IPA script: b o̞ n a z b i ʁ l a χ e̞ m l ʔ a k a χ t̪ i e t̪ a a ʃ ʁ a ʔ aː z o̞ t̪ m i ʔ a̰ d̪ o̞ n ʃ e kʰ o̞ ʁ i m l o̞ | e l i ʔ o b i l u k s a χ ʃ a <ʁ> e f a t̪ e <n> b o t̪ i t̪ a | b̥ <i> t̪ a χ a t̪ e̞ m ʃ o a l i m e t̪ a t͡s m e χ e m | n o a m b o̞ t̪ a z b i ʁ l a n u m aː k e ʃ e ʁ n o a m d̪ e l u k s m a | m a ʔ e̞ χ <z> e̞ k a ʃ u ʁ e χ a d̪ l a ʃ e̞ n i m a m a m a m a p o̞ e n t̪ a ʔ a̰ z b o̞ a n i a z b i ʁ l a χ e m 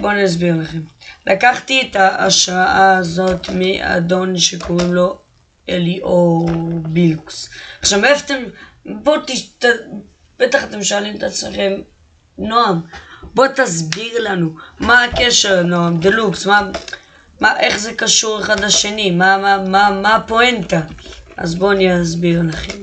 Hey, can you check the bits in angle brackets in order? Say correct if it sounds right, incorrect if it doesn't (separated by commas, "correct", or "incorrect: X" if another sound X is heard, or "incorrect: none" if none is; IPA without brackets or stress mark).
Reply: incorrect: v, incorrect: m, incorrect: e, correct